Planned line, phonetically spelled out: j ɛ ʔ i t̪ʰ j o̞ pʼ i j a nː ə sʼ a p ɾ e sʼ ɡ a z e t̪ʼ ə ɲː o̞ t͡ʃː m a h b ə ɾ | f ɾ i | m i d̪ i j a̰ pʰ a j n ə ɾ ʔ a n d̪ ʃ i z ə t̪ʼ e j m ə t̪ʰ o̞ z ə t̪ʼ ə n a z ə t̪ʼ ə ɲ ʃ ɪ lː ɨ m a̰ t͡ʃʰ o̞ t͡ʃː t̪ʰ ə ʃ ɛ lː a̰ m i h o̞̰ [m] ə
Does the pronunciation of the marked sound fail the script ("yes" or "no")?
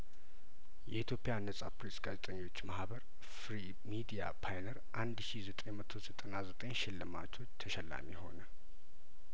yes